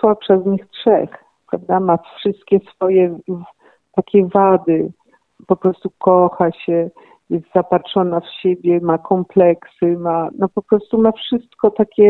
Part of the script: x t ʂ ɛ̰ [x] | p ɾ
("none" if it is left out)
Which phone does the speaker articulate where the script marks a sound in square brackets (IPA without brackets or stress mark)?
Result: x